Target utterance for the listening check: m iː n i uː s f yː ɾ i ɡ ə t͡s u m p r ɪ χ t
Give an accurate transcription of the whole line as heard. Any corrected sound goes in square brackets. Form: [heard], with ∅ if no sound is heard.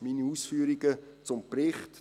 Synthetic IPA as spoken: m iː n i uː s f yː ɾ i ɡ ə t͡s [ʊ] m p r ɪ χ t